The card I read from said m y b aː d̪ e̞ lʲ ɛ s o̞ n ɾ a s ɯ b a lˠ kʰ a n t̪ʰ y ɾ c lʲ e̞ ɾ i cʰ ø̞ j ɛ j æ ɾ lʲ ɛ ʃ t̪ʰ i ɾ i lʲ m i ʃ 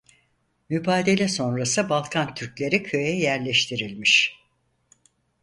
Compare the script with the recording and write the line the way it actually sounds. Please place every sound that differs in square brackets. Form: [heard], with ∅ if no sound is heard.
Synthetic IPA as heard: m y b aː d̪ e̞ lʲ ɛ s o̞ n ɾ a s ɯ b a lˠ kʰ a n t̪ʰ y ɾ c lʲ e̞ ɾ i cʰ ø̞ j ɛ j æ ɾ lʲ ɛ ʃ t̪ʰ i ɾ i lʲ m i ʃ